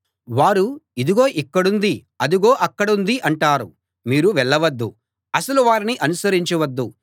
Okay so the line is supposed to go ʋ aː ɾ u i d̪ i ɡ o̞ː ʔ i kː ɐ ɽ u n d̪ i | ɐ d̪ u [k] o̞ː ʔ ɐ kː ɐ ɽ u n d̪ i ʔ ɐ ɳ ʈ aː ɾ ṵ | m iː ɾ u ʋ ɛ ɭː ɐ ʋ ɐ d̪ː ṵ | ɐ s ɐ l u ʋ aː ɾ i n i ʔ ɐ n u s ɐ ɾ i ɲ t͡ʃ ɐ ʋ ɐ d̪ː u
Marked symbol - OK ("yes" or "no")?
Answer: no